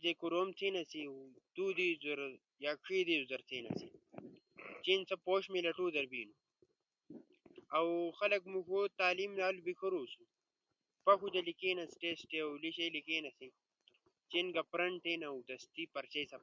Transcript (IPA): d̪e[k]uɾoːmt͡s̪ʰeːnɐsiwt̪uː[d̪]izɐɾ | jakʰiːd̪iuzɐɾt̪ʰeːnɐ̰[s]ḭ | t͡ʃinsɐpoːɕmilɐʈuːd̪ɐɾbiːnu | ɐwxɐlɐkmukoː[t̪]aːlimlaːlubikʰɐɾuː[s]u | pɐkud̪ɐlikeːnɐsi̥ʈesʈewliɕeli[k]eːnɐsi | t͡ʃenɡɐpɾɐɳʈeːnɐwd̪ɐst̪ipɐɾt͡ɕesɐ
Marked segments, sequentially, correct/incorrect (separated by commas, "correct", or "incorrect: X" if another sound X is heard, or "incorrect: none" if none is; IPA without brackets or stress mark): correct, correct, correct, correct, correct, correct